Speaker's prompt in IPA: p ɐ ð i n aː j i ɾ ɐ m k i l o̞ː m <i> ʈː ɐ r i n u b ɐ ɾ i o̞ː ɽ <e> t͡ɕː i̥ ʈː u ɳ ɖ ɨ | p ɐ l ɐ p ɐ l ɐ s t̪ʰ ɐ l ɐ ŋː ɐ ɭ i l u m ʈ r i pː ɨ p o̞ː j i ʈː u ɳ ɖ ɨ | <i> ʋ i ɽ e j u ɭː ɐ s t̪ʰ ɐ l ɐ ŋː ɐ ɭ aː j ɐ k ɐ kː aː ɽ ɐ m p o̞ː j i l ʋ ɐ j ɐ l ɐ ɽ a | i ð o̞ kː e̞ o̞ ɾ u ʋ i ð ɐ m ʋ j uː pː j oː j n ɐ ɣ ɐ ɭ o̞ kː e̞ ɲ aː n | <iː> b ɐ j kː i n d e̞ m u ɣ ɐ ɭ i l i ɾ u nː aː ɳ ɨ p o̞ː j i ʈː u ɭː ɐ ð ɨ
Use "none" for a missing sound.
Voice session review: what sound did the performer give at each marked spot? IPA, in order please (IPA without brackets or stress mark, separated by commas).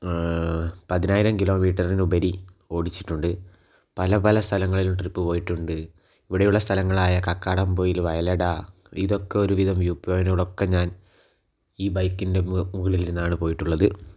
iː, i, i, iː